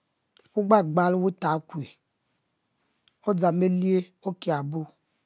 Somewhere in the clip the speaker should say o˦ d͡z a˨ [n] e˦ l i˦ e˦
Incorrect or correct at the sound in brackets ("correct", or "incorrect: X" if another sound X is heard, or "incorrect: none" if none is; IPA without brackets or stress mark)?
incorrect: m